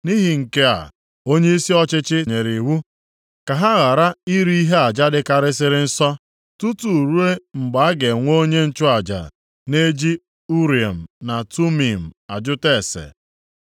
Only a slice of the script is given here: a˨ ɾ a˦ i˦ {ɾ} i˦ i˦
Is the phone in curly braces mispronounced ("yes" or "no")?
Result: no